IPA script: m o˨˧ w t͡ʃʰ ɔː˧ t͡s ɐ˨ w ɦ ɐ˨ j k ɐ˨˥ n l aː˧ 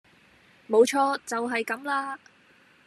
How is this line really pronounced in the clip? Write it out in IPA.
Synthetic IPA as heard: m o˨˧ w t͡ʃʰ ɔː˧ t͡s ɐ˨ w ɦ ɐ˨ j k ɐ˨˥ m l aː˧